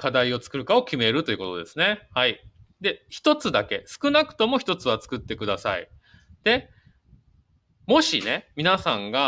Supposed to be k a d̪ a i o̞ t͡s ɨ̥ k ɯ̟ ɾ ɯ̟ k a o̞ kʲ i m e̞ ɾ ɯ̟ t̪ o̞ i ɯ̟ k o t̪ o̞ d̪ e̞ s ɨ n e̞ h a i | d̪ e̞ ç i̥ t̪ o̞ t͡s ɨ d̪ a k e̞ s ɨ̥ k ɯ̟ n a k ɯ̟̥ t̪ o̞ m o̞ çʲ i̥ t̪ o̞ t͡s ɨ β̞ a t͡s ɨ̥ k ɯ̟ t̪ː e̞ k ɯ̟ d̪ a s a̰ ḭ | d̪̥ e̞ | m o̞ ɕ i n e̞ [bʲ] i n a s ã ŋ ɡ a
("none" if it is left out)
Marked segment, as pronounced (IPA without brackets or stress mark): mʲ